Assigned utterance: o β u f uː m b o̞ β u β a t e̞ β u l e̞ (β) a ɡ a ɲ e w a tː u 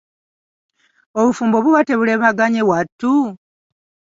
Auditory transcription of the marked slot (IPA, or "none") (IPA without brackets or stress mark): β